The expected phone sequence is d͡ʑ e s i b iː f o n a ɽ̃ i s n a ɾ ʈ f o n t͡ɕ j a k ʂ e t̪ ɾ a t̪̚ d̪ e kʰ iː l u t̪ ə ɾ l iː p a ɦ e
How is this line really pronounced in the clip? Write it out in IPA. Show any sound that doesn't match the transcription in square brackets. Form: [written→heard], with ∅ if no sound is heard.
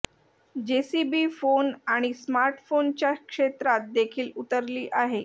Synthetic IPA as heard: d͡ʑ e s i b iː f o n a ɽ̃ i s [n→m] a ɾ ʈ f o n t͡ɕ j a k ʂ e t̪ ɾ a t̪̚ d̪ e kʰ iː l u t̪ ə ɾ l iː [p→ʔ] a ɦ e